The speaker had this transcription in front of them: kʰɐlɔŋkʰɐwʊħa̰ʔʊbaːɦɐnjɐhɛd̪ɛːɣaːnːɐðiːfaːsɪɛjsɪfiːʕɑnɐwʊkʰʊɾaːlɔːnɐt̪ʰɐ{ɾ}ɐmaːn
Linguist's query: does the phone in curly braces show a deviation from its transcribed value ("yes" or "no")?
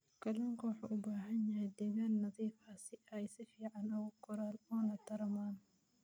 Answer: no